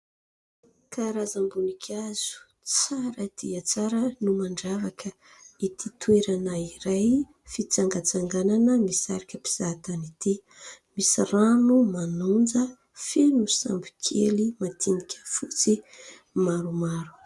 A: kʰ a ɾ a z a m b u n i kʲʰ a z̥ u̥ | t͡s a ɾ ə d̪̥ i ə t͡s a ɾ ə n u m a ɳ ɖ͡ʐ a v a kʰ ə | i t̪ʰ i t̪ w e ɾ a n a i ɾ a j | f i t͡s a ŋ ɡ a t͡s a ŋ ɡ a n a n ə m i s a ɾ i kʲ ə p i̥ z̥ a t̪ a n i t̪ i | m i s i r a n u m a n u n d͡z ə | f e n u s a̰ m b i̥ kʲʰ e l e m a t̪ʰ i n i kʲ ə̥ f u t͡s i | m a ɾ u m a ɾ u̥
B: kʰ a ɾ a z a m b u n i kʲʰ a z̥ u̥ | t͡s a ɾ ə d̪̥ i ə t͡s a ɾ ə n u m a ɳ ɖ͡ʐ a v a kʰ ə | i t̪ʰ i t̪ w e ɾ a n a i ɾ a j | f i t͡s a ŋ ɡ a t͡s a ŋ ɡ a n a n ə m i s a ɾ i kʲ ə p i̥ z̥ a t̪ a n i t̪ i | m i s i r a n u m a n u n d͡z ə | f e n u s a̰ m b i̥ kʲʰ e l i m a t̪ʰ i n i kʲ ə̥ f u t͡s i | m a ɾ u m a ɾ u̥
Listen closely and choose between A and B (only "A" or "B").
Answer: B